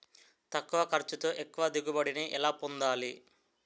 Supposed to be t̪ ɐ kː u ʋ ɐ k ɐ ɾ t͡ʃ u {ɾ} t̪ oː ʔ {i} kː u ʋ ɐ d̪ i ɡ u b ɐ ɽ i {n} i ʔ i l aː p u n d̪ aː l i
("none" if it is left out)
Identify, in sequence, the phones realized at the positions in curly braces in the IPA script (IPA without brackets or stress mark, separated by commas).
none, e, n